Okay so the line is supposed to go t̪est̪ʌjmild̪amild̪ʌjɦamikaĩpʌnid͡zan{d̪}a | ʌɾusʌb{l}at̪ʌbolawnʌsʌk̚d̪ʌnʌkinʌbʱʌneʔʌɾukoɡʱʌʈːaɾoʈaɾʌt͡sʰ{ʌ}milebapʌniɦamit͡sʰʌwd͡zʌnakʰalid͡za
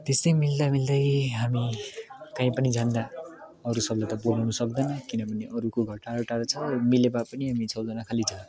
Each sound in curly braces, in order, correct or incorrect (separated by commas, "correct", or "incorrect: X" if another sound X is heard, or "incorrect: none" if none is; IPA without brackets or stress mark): correct, correct, correct